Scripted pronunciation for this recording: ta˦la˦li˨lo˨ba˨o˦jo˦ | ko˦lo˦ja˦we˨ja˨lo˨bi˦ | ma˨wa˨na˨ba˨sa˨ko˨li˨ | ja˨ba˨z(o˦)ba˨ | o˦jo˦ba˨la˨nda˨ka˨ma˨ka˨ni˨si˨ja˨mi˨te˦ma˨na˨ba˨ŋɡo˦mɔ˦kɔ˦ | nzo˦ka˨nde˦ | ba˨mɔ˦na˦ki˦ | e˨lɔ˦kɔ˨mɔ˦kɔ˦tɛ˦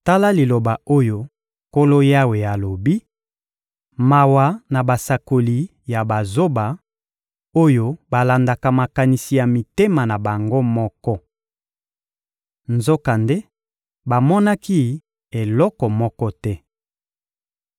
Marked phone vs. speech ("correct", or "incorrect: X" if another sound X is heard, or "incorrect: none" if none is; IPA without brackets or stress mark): correct